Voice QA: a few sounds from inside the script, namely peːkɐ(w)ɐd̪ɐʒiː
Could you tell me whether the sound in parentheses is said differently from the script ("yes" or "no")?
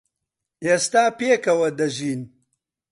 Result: no